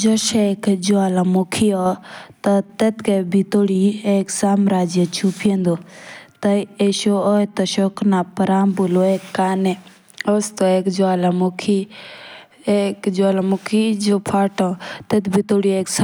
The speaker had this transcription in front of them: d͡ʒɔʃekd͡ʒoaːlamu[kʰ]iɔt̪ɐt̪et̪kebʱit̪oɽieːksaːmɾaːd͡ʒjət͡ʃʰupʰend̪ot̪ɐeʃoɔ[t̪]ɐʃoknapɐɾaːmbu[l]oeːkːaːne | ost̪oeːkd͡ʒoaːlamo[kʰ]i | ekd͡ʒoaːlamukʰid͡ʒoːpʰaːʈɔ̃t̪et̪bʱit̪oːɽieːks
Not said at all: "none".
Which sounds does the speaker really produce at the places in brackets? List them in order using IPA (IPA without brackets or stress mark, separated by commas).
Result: kʰ, t̪, l, kʰ